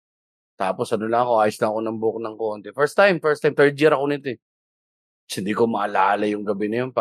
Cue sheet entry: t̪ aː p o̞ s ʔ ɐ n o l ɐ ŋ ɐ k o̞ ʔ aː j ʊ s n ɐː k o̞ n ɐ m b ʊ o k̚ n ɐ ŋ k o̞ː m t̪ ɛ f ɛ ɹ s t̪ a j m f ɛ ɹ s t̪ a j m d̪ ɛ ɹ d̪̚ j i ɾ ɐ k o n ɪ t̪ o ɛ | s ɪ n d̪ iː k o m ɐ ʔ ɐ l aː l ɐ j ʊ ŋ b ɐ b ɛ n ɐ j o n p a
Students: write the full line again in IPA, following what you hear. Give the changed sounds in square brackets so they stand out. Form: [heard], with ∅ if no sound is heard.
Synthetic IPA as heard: t̪ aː p o̞ s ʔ ɐ n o l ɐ ŋ ɐ k o̞ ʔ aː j ʊ s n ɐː k o̞ n ɐ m b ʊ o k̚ n ɐ ŋ k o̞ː [n] t̪ ɛ f ɛ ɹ s t̪ a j m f ɛ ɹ s t̪ a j m [t̪] ɛ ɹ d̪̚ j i ɾ ɐ k o n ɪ t̪ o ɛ | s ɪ n d̪ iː k o m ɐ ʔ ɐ l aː l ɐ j ʊ ŋ [ɡ] ɐ b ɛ n ɐ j o n p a